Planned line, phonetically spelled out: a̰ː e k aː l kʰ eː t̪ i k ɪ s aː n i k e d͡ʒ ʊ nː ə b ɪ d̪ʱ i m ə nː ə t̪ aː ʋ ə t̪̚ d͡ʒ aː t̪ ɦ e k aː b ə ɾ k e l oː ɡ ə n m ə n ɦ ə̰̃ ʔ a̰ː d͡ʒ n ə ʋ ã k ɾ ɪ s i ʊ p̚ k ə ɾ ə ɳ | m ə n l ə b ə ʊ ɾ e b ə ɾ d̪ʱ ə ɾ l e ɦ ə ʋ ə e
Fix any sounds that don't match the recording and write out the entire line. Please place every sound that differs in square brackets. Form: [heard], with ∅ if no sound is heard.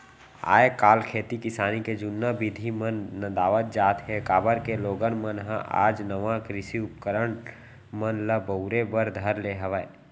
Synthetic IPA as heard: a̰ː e k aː l kʰ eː t̪ i k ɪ s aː n i k e d͡ʒ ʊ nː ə b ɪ d̪ʱ i m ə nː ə [d̪] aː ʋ ə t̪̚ d͡ʒ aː t̪ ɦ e k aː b ə ɾ k e l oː ɡ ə n m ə n ɦ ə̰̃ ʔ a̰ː d͡ʒ n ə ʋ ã k ɾ ɪ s i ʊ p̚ k ə ɾ ə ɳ | m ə n l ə b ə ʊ ɾ e b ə ɾ d̪ʱ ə ɾ l e ɦ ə ʋ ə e